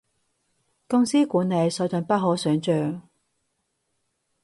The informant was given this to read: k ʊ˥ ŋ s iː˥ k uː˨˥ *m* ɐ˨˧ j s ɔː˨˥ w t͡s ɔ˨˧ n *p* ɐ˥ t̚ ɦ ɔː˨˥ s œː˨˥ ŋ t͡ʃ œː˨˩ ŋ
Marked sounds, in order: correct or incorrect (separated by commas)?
incorrect, correct